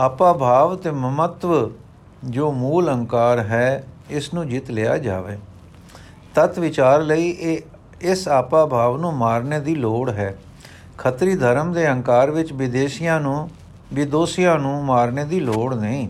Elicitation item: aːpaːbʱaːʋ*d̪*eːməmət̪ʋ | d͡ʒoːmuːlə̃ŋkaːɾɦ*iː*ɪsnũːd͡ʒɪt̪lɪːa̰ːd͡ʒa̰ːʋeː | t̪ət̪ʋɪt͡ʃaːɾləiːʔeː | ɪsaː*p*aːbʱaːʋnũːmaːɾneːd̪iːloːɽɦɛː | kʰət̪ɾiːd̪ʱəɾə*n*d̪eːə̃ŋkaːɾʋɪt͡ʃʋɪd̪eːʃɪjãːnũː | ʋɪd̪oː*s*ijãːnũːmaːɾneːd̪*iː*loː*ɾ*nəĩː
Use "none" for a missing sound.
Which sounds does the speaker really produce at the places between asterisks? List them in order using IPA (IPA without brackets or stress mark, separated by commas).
t̪, ɛː, p, m, s, iː, ɽ